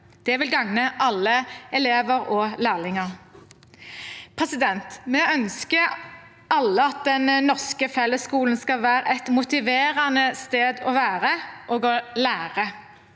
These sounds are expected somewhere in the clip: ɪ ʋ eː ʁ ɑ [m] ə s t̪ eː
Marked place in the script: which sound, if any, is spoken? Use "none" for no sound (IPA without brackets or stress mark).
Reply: n